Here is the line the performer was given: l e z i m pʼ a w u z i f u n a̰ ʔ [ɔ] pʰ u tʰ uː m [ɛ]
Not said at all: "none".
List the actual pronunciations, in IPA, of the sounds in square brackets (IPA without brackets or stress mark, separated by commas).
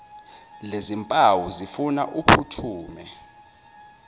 u, ɛ